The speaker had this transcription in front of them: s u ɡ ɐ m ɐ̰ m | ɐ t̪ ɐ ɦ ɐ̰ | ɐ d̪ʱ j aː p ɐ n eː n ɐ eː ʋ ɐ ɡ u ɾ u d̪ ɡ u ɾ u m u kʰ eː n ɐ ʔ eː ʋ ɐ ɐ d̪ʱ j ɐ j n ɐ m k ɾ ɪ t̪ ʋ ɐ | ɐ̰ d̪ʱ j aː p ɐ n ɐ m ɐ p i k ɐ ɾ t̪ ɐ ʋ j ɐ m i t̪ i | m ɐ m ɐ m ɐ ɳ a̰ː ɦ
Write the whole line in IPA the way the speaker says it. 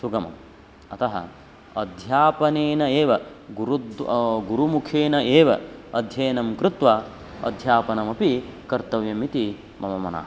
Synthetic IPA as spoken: s u ɡ ɐ m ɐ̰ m | ɐ t̪ ɐ ɦ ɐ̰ | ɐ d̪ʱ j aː p ɐ n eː n ɐ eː ʋ ɐ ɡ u ɾ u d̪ ɡ u ɾ u m u kʰ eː n ɐ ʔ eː ʋ ɐ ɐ d̪ʱ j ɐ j n ɐ m k ɾ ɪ t̪ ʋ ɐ | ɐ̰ d̪ʱ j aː p ɐ n ɐ m ɐ p i k ɐ ɾ t̪ ɐ ʋ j ɐ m i t̪ i | m ɐ m ɐ m ɐ n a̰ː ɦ